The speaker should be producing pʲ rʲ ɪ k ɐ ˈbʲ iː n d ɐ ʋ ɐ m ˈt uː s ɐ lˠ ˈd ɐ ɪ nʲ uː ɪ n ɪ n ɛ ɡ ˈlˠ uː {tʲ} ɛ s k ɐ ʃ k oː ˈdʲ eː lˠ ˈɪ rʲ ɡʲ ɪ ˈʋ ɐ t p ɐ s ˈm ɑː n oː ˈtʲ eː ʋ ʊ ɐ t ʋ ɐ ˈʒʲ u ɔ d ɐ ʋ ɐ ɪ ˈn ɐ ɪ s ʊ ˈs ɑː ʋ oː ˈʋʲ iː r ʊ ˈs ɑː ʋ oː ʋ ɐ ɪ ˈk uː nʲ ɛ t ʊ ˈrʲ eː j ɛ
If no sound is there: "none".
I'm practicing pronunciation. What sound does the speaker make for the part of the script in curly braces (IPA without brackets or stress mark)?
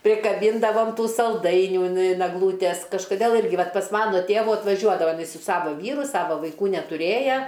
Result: tʲ